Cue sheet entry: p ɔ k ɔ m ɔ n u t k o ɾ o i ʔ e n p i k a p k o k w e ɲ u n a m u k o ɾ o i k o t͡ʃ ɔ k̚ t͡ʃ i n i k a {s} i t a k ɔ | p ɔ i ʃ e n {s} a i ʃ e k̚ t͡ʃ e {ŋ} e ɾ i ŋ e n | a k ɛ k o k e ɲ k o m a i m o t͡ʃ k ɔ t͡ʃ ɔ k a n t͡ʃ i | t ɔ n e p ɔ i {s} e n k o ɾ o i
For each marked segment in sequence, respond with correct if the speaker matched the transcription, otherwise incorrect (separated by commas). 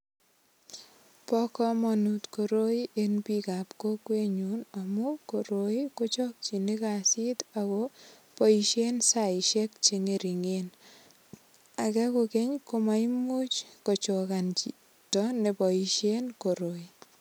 correct, correct, correct, incorrect